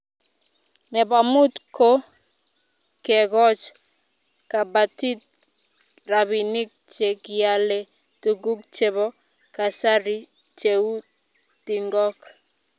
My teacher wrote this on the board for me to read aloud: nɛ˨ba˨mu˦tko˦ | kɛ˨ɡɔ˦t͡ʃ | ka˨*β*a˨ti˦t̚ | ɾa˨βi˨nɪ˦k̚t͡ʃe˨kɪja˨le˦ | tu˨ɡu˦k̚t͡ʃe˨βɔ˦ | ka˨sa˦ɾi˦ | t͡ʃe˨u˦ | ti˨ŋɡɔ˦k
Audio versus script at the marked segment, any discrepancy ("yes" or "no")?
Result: yes